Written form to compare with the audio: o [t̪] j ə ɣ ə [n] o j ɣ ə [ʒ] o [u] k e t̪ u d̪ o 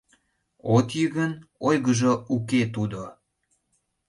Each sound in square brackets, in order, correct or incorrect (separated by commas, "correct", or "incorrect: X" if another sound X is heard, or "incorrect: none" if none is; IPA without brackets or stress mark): correct, correct, correct, correct